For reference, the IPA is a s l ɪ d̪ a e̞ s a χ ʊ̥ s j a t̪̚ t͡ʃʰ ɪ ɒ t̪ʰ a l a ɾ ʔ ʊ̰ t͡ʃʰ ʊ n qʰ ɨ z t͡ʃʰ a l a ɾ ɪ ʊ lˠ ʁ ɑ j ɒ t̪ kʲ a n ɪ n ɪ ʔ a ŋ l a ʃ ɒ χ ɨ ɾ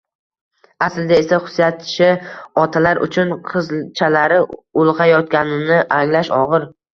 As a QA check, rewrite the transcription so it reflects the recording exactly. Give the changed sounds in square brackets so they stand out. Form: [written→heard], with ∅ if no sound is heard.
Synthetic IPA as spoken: a s l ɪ d̪ a e̞ s a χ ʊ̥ s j a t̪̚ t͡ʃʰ ɪ ɒ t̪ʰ a l a ɾ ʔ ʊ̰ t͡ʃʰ ʊ n qʰ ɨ z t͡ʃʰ a l a ɾ ɪ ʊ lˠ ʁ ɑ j ɒ t̪ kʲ a n ɪ n ɪ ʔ a ŋ l a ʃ ɒ [χ→ʁ] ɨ ɾ